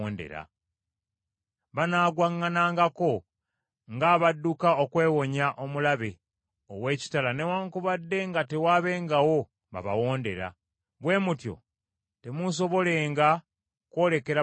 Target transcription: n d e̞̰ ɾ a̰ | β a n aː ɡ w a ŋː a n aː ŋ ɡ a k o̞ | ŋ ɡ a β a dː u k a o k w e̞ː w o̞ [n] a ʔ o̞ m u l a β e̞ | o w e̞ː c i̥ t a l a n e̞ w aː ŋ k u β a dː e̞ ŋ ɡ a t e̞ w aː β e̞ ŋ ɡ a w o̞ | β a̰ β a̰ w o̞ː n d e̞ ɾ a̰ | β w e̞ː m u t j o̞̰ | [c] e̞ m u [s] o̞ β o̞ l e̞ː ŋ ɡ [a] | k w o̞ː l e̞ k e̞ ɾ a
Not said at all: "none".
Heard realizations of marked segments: ɲ, t, s, a

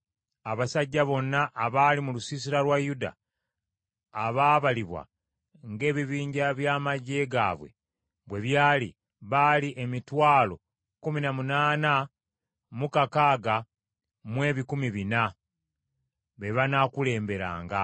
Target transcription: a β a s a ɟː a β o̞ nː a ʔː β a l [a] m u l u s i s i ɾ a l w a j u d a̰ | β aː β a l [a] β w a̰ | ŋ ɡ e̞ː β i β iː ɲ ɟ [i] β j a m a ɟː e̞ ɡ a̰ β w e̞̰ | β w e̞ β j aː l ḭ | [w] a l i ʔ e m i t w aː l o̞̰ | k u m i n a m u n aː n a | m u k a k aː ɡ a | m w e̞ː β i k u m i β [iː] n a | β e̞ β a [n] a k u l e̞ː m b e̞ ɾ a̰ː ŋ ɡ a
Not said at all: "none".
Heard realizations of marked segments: i, i, a, β, i, n

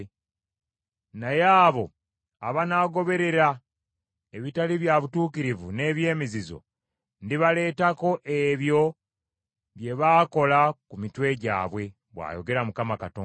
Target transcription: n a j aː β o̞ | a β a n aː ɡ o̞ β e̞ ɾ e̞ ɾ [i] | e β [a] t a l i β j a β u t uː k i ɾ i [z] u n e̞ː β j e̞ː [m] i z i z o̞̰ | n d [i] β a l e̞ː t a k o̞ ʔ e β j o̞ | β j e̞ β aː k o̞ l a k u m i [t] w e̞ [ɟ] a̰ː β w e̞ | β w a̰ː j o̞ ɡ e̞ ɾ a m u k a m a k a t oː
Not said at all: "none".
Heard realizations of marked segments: a, i, v, m, i, t, ɟ

